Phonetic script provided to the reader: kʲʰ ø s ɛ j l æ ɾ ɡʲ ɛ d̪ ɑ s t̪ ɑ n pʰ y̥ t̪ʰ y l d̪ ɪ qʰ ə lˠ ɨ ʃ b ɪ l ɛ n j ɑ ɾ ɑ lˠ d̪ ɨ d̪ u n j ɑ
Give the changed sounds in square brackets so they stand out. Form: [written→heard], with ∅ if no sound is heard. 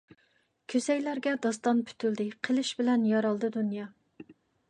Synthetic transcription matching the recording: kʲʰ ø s ɛ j l æ ɾ ɡʲ ɛ d̪ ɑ s t̪ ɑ n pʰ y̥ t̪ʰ y l d̪ ɪ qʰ ə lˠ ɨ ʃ b ɪ l ɛ n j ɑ ɾ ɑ lˠ d̪ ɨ d̪ u n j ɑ